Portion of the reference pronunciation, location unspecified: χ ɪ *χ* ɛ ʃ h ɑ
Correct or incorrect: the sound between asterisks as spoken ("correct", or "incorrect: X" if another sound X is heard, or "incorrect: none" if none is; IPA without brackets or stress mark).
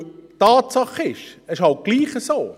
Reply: incorrect: ʃ